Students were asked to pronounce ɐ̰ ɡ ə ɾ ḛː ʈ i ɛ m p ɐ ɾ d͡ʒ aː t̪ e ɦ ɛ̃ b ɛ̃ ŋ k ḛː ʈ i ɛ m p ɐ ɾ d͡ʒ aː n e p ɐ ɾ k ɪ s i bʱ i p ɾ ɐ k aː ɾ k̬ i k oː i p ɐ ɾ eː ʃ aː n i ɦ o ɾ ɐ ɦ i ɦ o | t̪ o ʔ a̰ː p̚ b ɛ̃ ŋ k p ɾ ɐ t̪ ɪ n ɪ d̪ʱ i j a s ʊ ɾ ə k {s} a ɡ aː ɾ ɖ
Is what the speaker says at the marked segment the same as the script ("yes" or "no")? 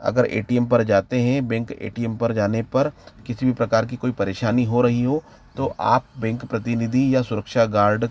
no